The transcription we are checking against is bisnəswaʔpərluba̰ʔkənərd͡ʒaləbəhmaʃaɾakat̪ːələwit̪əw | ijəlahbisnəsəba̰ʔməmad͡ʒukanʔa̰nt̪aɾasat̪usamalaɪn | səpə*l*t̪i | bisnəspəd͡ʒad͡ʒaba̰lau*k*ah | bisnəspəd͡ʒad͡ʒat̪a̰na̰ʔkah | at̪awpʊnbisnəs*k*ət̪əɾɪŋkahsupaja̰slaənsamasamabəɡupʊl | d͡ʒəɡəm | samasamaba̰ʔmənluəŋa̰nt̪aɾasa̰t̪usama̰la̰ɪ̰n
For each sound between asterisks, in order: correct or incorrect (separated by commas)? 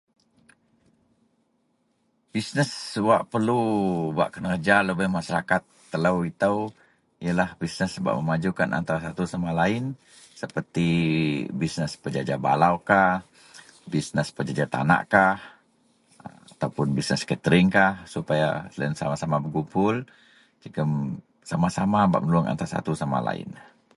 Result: incorrect, correct, correct